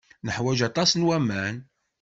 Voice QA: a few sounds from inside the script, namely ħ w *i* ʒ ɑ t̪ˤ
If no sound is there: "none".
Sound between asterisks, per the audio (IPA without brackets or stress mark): æ